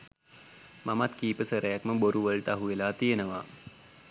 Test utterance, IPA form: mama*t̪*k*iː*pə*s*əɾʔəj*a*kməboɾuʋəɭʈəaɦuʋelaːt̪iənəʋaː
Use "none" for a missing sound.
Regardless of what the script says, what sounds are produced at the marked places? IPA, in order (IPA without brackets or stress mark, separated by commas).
t̪, iː, s, a